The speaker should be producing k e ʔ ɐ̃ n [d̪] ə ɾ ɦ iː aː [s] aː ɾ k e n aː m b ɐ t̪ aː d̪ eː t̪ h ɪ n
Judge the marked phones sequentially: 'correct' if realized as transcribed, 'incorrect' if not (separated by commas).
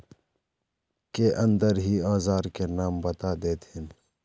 correct, incorrect